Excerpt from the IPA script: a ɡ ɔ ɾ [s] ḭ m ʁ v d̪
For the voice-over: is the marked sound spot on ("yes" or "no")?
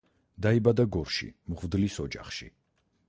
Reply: no